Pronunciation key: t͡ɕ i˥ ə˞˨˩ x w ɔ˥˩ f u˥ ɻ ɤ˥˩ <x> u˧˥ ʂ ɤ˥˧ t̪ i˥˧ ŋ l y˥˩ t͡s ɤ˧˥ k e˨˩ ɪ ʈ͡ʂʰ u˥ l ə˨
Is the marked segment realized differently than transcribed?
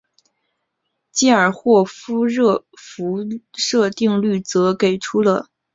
yes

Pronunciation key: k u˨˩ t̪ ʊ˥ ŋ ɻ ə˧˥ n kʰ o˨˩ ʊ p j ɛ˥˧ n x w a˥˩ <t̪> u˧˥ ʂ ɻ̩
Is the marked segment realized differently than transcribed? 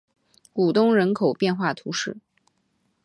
yes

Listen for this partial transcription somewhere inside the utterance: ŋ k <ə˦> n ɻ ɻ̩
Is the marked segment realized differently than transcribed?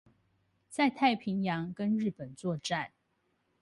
no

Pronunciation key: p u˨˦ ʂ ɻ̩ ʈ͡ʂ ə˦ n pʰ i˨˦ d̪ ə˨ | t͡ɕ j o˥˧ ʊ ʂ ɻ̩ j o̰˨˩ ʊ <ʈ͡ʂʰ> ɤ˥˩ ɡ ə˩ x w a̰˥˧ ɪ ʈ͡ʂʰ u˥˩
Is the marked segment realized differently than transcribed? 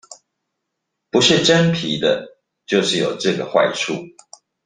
yes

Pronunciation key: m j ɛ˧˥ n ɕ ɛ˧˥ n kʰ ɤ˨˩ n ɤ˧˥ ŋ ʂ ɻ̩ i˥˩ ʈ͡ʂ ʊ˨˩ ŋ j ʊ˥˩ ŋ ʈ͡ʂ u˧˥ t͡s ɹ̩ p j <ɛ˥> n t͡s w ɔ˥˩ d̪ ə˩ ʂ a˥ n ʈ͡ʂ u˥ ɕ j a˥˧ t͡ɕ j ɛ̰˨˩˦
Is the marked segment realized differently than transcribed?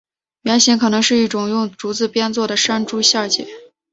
no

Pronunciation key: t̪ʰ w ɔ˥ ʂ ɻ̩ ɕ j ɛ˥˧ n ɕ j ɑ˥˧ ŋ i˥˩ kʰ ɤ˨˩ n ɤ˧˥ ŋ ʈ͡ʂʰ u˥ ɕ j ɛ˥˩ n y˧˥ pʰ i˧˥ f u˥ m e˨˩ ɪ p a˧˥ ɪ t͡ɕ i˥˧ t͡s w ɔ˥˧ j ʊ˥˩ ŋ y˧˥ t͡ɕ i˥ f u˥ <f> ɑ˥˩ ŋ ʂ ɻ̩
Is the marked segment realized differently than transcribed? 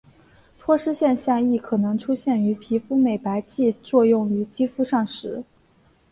yes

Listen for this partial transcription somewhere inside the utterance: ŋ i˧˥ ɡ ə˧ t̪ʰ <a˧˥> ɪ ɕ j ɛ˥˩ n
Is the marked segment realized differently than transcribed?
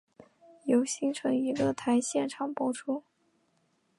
no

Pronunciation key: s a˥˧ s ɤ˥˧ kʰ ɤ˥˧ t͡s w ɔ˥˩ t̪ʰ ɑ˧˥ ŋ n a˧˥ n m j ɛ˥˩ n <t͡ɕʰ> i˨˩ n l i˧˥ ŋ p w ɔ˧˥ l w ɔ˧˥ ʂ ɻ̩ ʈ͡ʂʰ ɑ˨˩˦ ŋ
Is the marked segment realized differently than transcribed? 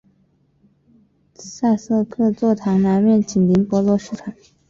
yes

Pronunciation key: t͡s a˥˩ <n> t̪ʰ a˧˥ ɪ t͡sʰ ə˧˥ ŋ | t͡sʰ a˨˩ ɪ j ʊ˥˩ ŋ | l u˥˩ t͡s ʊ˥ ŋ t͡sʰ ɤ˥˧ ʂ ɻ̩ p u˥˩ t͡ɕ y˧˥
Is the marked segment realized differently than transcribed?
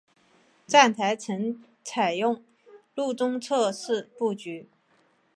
no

